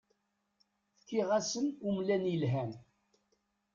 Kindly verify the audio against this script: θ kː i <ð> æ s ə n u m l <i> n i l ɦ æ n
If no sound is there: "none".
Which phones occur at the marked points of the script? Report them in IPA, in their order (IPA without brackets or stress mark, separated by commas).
ʁ, æ